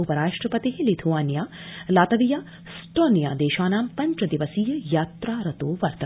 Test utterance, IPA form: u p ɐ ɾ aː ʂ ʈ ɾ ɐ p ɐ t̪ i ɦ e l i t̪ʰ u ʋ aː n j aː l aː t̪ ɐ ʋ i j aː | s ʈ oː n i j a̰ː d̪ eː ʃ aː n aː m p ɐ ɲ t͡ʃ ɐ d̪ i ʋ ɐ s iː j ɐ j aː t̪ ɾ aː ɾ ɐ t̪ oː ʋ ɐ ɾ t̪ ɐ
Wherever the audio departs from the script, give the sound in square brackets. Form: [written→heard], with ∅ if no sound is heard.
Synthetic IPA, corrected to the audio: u p ɐ ɾ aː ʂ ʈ ɾ ɐ p ɐ t̪ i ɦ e l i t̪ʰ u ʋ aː n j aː l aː t̪ ɐ ʋ i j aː | s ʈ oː n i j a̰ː d̪ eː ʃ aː n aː m p ɐ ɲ t͡ʃ ɐ d̪ i ʋ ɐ s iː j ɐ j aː t̪ ɾ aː ɾ ɐ t̪ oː ʋ ɐ ɾ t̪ ɐ

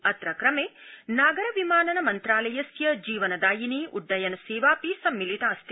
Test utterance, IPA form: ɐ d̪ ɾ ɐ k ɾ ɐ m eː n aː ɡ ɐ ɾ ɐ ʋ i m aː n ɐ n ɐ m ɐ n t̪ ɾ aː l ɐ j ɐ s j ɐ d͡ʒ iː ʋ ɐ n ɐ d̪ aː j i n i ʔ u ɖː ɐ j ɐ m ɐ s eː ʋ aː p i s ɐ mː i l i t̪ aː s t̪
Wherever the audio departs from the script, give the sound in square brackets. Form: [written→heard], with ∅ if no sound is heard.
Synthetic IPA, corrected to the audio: ɐ [d̪→t̪] ɾ ɐ k ɾ ɐ m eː n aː ɡ ɐ ɾ ɐ ʋ i m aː n ɐ n ɐ m ɐ n t̪ ɾ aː l ɐ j ɐ s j ɐ d͡ʒ iː ʋ ɐ n ɐ d̪ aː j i n i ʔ u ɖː ɐ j ɐ [m→n] ɐ s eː ʋ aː p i s ɐ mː i l i t̪ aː s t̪

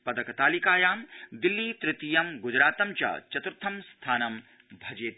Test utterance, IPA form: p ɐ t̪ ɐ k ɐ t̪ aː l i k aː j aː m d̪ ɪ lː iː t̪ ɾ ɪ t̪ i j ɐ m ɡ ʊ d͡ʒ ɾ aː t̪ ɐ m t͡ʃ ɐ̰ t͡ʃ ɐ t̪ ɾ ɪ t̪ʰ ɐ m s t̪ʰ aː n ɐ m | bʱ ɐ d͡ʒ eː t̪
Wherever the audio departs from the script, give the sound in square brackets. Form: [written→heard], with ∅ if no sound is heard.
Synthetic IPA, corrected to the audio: p ɐ [t̪→d̪] ɐ k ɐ t̪ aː l i k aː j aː m d̪ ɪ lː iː t̪ ɾ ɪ t̪ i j ɐ m ɡ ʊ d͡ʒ ɾ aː t̪ ɐ m t͡ʃ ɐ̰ t͡ʃ ɐ t̪ ɾ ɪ t̪ʰ ɐ m s t̪ʰ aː n ɐ m | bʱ ɐ d͡ʒ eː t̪

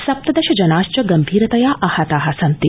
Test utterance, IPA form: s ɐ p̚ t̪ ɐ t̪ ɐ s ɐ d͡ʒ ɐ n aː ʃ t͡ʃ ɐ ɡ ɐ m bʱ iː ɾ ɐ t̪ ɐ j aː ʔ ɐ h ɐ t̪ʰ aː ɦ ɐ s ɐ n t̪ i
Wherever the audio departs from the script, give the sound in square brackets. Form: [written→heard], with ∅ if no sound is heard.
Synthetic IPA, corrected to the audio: s ɐ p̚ t̪ ɐ [t̪→d̪] ɐ [s→ʃ] ɐ d͡ʒ ɐ n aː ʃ t͡ʃ ɐ ɡ ɐ m bʱ iː ɾ ɐ t̪ ɐ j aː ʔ ɐ h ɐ [t̪ʰ→t̪] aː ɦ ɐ s ɐ n t̪ i

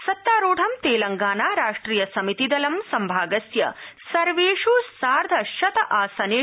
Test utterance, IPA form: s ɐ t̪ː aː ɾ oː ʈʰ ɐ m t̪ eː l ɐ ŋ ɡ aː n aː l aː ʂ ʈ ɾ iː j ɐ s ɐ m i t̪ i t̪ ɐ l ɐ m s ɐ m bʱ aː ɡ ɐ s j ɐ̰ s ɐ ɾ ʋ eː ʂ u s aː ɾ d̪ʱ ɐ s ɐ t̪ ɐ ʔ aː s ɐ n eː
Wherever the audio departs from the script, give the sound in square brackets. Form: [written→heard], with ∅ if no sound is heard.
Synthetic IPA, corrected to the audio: s ɐ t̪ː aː ɾ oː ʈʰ ɐ m t̪ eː l ɐ ŋ ɡ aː n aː [l→ɾ] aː ʂ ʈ ɾ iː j ɐ s ɐ m i t̪ i [t̪→d̪] ɐ l ɐ m s ɐ m bʱ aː ɡ ɐ s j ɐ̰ s ɐ ɾ ʋ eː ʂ u s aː ɾ d̪ʱ ɐ [s→ʃ] ɐ t̪ ɐ ʔ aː s ɐ n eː

